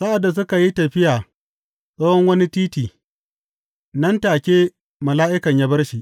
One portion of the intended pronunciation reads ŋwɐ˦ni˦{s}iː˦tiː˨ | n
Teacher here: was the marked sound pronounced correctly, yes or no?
no